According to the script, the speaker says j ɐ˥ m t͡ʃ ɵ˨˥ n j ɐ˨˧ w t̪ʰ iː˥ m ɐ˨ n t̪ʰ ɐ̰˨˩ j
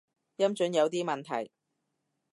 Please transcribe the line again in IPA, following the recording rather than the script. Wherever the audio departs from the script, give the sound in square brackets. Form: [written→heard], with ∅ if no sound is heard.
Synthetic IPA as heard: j ɐ˥ m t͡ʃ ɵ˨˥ n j ɐ˨˧ w [t̪ʰ→t̪] iː˥ m ɐ˨ n t̪ʰ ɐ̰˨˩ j